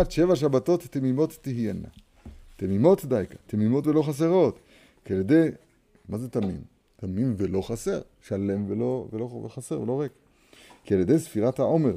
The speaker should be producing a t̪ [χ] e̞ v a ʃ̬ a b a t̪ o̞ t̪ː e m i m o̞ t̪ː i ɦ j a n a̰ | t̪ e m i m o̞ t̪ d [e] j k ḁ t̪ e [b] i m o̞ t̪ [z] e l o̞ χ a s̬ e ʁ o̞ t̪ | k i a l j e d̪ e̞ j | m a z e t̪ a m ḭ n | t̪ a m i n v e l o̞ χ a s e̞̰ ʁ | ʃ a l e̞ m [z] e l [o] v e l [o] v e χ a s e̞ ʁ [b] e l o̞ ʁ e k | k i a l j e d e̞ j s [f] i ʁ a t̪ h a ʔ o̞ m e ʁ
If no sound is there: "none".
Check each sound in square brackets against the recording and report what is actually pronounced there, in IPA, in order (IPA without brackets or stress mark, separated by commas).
ʃ, a, m, v, v, o, o, v, f